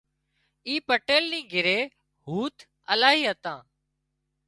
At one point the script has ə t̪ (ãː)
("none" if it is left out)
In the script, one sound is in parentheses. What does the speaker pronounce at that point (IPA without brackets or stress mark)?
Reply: ãː